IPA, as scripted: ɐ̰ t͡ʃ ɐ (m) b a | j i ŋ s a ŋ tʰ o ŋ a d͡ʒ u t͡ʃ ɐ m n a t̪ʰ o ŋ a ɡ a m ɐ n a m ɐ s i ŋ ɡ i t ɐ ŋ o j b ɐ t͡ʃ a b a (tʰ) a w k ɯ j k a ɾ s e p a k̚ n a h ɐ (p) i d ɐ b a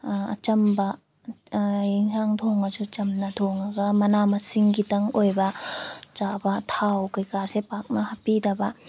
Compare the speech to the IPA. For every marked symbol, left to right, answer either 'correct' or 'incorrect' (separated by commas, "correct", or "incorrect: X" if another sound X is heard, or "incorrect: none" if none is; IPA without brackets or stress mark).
correct, correct, correct